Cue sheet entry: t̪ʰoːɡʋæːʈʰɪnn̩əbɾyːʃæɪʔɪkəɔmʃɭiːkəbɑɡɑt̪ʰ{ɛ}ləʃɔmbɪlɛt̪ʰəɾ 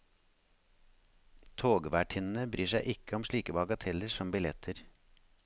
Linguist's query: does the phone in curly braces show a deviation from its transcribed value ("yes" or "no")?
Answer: no